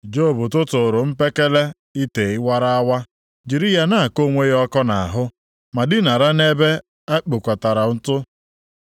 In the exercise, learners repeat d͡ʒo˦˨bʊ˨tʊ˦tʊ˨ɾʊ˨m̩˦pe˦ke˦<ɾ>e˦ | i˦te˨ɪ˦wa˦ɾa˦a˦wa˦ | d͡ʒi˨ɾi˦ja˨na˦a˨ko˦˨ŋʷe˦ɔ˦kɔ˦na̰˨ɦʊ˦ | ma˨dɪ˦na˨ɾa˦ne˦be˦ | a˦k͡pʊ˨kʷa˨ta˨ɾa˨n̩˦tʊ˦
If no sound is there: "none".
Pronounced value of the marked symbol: l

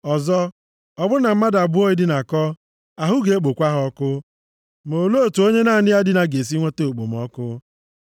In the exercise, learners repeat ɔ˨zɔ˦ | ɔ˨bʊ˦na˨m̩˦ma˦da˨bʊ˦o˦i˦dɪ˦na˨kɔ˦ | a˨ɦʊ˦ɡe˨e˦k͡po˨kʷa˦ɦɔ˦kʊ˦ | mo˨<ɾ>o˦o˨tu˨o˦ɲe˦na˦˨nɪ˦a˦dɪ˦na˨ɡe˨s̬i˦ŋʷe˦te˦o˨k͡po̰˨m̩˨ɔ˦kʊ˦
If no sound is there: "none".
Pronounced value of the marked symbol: l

